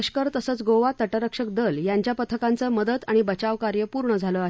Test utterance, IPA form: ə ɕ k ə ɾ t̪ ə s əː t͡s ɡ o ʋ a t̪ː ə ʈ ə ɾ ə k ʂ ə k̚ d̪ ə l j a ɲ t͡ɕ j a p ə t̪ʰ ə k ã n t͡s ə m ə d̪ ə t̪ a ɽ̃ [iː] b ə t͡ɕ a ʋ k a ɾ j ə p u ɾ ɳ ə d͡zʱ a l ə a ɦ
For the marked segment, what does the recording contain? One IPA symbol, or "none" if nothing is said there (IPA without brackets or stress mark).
i